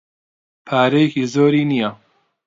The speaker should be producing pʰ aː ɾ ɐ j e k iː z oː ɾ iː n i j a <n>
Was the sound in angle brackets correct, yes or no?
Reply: no